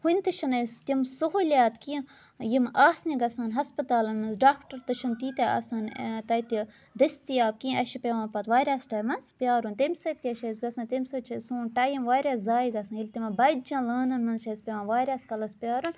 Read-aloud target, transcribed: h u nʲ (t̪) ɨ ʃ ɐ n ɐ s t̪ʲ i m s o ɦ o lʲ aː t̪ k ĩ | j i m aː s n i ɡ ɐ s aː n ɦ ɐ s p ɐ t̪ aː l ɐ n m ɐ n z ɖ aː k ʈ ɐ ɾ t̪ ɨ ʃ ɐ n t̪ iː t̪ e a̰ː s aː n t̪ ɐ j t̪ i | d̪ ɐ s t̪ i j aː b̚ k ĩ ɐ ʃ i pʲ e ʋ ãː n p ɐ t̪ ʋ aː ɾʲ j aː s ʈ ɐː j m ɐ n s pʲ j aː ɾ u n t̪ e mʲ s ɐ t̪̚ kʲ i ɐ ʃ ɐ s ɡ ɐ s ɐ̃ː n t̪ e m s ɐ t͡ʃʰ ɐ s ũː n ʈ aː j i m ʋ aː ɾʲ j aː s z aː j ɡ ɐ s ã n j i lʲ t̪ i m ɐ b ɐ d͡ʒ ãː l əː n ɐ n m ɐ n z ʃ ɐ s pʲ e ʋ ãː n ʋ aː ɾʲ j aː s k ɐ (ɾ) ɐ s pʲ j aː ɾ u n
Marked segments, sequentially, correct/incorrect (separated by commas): correct, incorrect